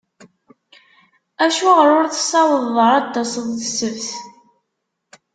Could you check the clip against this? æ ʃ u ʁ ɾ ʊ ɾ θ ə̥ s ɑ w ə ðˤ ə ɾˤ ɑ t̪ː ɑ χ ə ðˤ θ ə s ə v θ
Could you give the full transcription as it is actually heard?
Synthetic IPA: æ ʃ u ʁ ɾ ʊ ɾ θ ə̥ s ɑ w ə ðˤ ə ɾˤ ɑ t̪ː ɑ s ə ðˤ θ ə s ə v θ